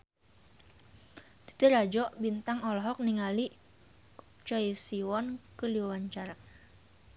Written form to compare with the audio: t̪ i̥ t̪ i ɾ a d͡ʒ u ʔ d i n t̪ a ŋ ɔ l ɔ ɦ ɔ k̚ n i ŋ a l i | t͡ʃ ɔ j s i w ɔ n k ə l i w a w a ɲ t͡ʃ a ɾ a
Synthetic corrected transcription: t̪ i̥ t̪ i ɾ a d͡ʒ ɔ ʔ b i n t̪ a ŋ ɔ l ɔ ɦ ɔ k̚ n i ŋ a l i | t͡ʃ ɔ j s i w ɔ n k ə l i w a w a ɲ t͡ʃ a ɾ a